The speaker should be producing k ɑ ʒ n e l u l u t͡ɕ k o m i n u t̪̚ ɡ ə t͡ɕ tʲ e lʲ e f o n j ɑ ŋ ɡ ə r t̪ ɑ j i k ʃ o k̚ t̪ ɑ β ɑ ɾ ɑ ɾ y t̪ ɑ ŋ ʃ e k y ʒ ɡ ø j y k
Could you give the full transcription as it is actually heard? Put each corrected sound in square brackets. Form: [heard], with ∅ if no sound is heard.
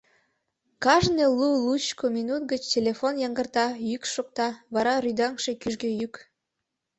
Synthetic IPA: k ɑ ʒ n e l u l u t͡ɕ k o m i n u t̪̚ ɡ ə t͡ɕ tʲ e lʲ e f o n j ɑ ŋ ɡ ə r t̪ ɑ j [y] k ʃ o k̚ t̪ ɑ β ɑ ɾ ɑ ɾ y [d̪] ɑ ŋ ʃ e k y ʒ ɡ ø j y k